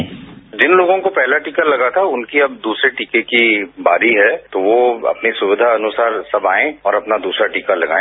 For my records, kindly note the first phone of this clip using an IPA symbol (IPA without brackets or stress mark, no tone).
d͡ʒ